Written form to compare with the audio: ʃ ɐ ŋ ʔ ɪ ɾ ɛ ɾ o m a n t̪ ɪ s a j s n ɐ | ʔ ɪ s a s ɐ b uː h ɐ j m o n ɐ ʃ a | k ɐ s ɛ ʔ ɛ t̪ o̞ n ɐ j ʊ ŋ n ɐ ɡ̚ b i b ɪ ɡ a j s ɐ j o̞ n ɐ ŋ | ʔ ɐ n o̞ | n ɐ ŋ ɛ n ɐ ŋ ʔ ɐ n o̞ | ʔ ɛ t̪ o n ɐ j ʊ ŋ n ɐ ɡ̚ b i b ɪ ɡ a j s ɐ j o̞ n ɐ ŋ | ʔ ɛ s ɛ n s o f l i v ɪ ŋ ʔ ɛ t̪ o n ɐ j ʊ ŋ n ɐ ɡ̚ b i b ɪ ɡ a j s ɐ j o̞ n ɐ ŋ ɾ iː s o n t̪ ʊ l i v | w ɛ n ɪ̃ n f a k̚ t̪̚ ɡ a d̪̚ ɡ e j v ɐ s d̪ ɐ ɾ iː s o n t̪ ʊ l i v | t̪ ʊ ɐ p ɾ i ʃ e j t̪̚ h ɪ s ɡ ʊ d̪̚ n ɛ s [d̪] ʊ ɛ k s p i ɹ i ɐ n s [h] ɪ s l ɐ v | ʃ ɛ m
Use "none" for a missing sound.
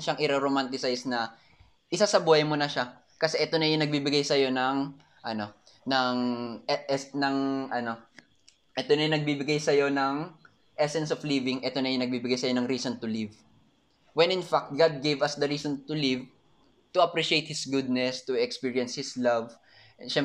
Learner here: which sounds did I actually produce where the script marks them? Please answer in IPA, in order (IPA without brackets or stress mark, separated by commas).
t̪, h